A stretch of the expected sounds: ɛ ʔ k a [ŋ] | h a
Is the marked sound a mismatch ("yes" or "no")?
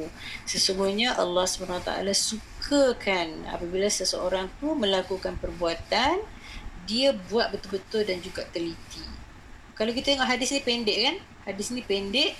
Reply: yes